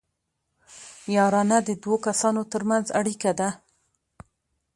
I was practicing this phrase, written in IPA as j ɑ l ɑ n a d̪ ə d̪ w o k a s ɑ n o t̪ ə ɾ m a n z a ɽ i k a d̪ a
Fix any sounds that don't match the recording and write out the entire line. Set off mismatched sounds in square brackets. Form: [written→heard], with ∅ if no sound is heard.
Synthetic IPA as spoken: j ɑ [l→ɾ] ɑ n a d̪ ə d̪ w o k a s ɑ n o t̪ ə ɾ m a n z a ɽ i k a d̪ a